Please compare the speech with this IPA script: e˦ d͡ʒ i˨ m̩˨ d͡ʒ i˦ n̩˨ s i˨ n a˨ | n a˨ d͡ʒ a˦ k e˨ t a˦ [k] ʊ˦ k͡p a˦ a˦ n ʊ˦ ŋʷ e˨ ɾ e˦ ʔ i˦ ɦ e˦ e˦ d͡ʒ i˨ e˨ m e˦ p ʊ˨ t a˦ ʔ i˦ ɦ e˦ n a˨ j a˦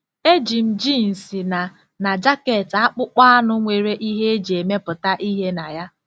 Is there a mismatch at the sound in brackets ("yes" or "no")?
yes